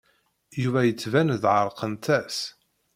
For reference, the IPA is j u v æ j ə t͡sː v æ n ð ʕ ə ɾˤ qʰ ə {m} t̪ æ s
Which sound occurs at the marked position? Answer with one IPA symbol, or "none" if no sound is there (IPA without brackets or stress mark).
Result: n